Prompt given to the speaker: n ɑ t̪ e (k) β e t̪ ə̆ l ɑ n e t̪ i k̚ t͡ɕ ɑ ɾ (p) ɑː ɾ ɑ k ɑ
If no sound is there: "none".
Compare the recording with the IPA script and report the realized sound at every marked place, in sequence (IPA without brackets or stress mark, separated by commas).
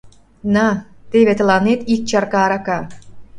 none, k